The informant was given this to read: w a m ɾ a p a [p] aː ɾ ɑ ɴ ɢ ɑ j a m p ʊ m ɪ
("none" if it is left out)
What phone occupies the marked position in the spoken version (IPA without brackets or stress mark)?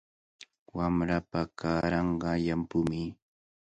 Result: k